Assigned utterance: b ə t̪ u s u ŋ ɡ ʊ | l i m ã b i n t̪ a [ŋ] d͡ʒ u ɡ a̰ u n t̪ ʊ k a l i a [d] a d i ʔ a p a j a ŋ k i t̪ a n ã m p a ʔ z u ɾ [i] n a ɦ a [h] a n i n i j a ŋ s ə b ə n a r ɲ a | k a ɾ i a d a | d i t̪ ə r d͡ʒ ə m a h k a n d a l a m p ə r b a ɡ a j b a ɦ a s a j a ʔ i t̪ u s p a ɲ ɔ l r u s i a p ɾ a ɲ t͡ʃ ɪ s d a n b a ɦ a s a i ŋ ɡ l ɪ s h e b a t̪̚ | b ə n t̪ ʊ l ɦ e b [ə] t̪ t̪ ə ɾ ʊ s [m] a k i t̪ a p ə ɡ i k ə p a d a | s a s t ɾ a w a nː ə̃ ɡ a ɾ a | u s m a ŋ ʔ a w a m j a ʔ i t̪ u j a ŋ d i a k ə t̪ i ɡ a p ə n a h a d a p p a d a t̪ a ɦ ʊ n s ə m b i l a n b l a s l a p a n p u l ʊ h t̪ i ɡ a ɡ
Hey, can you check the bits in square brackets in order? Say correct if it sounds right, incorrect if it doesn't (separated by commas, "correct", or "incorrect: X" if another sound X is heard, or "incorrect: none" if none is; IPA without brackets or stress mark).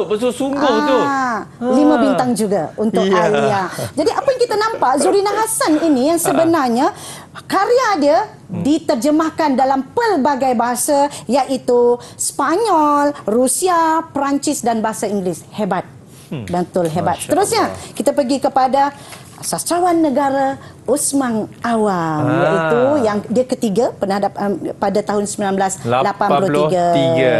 correct, incorrect: d͡ʒ, correct, incorrect: s, incorrect: a, incorrect: ɲ